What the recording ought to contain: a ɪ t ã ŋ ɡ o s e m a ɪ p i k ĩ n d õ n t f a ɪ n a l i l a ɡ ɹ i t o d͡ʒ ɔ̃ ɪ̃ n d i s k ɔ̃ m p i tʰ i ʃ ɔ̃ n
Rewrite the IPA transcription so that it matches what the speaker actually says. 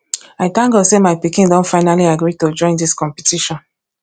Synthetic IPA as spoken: a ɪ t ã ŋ ɡ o s e m a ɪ p i k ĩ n d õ n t f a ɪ n a l i a ɡ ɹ i t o d͡ʒ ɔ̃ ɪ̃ n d i s k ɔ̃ m p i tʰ i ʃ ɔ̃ n